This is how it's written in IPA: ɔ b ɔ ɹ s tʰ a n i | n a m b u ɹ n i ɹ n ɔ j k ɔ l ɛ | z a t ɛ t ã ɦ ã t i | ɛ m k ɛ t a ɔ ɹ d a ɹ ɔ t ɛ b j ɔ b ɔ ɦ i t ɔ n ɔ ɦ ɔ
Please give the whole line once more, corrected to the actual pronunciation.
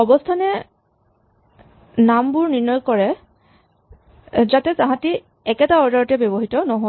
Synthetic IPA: ɔ b ɔ s tʰ a n ɛ | n a m b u ɹ n i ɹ n ɔ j k ɔ ɹ ɛ | z a t ɛ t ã ɦ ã t i | ɛ k ɛ t a ɔ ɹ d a ɹ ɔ t ɛ b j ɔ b ɔ ɦ i t ɔ n ɔ ɦ ɔ